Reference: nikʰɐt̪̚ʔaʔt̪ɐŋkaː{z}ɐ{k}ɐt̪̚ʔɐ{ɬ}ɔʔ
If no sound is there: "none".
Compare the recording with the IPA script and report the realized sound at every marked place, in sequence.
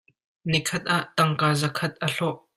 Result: z, kʰ, ɬ

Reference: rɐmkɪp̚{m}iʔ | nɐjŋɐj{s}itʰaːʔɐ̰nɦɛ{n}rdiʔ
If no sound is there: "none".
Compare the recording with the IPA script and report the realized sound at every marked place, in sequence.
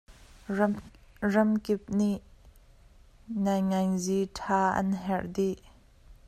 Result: n, z, none

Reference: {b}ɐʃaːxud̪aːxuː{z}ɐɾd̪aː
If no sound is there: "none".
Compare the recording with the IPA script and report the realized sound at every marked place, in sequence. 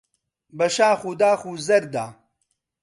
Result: b, z

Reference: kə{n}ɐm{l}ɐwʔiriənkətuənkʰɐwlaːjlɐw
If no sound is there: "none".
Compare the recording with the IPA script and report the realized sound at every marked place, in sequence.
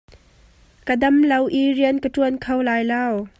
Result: d, l

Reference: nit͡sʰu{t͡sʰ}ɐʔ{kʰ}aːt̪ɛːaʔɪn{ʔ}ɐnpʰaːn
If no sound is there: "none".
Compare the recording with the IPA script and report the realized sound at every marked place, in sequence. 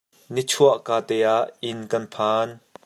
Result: none, k, k

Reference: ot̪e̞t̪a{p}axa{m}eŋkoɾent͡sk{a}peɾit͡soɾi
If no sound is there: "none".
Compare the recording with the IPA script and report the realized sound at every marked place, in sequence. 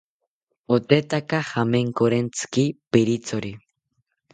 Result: k, m, i

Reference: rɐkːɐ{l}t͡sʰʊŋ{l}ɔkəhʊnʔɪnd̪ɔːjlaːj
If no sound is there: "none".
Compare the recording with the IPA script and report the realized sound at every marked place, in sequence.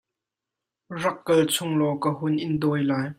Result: l, l

